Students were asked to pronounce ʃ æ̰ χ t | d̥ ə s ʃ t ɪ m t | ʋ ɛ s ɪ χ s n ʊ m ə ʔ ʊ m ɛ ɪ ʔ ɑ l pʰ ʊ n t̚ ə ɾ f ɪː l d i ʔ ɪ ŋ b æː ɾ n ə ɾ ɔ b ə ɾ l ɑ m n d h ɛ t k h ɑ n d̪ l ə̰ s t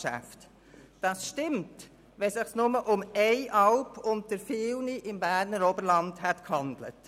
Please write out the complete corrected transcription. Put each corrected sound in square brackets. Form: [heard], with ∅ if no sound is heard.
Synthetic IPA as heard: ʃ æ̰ [f] t | d̥ [ɑ] s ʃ t ɪ m t | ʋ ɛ s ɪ χ s n ʊ m ə ʔ ʊ m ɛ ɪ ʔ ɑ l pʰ ʊ n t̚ ə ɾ f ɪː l [n] i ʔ ɪ [m] b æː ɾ n ə ɾ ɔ b ə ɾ l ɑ [∅] n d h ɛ t k h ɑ n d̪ l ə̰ [∅] t